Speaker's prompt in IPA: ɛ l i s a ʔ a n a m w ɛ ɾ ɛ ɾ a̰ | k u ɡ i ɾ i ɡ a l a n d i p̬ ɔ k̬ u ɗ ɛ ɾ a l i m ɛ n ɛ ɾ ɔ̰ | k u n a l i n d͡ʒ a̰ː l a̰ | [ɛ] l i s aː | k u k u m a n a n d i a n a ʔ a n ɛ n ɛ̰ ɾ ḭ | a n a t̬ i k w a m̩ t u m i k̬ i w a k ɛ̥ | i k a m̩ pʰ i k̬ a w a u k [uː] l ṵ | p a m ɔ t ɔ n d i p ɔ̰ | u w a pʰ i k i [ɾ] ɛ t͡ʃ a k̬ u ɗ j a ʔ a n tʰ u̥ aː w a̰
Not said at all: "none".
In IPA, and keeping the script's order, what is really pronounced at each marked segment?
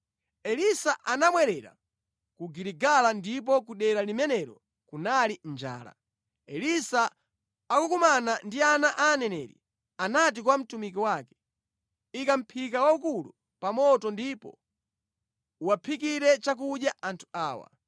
ɛ, u, ɾ

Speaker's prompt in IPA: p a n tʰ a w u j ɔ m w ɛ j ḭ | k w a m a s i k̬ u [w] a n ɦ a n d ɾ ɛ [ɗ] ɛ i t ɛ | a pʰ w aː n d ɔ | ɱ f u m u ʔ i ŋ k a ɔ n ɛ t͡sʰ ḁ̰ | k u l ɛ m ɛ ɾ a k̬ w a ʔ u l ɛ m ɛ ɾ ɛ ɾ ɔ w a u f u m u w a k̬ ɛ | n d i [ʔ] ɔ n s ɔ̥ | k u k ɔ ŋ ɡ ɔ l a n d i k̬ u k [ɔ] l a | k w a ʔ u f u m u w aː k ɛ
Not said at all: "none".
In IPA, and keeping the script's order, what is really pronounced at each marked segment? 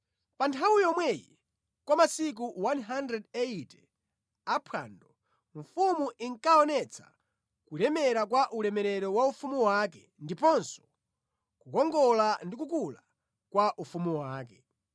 w, d, p, u

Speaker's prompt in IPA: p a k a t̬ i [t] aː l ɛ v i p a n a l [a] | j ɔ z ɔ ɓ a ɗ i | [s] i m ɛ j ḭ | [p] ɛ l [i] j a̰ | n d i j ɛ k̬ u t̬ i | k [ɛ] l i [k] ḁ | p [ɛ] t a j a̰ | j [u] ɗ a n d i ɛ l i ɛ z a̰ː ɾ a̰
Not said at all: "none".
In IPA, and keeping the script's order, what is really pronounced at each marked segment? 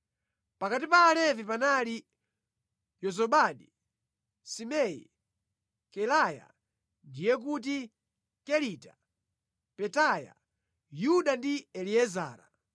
p, i, s, k, a, ɛ, t, ɛ, u

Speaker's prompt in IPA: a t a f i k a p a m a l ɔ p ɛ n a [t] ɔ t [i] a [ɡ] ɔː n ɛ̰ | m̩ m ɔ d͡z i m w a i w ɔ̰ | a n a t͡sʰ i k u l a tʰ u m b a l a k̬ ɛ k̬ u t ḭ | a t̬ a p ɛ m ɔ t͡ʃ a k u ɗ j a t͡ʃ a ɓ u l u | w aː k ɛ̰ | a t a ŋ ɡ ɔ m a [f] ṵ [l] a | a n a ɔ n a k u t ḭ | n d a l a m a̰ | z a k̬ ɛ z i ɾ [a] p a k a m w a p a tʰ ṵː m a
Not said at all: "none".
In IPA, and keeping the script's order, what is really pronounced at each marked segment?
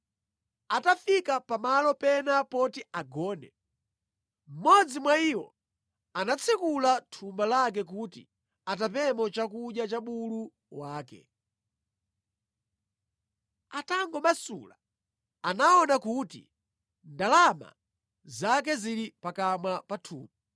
p, i, ɡ, s, l, i

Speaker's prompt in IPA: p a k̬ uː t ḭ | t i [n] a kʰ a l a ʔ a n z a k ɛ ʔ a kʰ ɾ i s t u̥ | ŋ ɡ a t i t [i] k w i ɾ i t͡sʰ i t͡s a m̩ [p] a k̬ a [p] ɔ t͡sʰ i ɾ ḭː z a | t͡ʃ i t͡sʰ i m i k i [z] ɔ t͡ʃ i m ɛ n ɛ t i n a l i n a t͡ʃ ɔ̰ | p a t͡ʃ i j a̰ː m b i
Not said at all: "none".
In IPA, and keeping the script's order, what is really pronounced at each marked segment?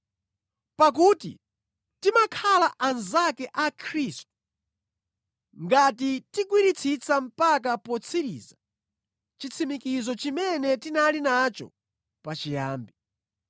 m, i, p, p, z

